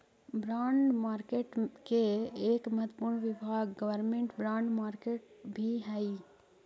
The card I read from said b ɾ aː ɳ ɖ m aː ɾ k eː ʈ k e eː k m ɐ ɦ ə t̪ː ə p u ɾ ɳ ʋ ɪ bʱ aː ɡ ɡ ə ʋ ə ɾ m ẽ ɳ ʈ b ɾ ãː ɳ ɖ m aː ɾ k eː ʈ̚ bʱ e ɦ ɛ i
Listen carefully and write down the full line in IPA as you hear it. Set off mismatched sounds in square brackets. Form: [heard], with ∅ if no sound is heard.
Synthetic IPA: b ɾ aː ɳ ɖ m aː ɾ k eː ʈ k e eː k m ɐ ɦ ə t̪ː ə p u ɾ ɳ ʋ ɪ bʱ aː ɡ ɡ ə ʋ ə ɾ m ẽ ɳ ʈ b ɾ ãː ɳ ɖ m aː ɾ k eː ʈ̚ bʱ [i] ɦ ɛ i